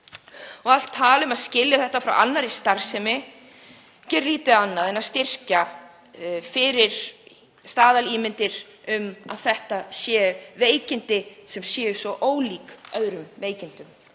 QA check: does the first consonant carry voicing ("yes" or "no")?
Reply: yes